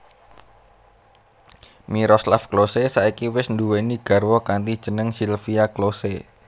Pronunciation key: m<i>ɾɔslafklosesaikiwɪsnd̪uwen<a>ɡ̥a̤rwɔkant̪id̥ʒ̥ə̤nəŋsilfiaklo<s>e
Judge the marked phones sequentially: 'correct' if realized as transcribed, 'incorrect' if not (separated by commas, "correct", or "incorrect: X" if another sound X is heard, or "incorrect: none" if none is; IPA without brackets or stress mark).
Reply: correct, incorrect: i, correct